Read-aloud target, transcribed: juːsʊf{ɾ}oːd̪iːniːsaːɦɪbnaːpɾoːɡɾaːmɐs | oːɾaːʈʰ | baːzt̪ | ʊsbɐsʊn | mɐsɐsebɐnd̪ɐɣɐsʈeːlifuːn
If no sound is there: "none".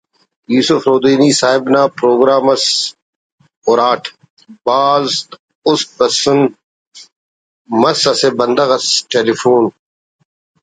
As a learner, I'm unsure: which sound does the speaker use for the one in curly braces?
ɾ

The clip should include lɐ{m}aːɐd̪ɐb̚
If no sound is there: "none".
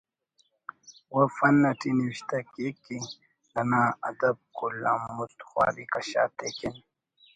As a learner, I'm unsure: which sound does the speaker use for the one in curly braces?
n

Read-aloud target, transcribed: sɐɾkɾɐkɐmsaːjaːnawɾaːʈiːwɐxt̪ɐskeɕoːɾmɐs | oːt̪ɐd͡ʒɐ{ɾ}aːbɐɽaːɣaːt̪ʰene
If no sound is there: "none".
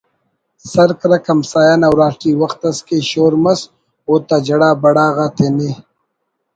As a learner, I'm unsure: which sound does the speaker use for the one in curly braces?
ɽ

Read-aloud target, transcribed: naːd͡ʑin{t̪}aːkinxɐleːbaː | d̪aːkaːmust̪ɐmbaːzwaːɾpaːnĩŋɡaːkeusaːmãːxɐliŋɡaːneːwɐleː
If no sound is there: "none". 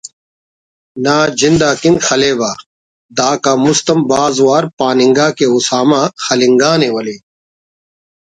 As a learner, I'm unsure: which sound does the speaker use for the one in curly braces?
d̪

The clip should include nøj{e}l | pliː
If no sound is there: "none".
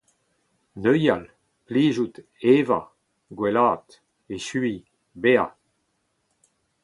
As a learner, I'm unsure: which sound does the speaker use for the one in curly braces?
a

